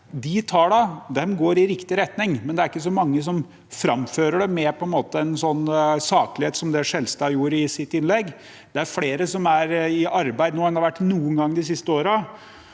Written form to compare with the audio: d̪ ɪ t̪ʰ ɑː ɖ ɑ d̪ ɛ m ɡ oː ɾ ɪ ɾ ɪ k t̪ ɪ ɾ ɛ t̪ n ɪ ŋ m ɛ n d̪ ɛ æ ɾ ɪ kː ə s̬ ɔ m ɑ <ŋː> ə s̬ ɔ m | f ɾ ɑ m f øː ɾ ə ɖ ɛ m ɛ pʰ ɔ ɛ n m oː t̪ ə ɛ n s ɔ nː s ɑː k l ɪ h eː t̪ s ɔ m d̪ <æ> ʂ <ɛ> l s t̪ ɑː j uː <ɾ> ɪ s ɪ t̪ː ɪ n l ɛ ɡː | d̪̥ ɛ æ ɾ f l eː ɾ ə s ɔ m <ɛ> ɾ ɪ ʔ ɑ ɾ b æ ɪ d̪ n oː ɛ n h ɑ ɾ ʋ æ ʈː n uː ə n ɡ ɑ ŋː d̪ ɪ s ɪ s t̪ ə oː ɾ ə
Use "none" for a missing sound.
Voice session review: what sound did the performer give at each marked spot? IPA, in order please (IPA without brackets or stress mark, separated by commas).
ŋː, ɛ, ɛ, ɾ, æ